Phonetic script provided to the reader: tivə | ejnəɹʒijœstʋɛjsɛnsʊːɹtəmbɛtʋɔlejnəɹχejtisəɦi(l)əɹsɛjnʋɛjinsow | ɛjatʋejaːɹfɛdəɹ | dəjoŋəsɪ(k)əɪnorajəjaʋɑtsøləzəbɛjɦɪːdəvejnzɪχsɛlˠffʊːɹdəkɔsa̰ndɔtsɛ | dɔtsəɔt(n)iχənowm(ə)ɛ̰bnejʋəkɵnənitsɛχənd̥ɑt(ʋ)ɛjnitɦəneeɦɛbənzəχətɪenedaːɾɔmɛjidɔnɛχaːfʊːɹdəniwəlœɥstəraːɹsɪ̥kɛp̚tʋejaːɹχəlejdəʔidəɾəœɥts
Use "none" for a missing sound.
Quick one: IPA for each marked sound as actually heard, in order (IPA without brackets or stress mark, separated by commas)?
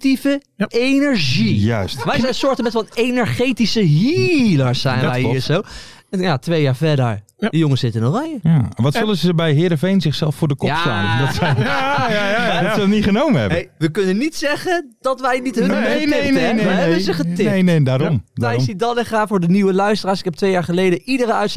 l, t, n, ə, ʋ